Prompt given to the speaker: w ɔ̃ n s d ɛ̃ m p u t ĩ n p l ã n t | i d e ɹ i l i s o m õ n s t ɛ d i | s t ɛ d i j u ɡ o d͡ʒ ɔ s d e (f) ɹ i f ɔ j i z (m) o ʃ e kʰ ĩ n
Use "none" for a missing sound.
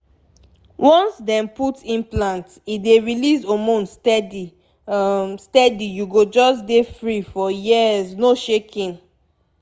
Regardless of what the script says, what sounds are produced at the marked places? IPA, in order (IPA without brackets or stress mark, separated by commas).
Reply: f, n